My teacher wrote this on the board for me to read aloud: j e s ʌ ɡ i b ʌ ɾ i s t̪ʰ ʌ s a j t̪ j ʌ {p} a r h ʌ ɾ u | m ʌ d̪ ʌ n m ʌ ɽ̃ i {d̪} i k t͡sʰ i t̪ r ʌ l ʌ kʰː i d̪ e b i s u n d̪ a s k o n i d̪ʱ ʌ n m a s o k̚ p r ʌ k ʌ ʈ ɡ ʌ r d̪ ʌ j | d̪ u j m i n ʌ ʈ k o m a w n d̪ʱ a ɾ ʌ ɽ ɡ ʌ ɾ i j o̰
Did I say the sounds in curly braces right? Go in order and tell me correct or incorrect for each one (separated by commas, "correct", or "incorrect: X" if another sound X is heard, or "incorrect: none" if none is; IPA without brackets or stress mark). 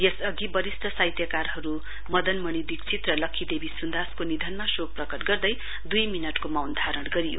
incorrect: k, correct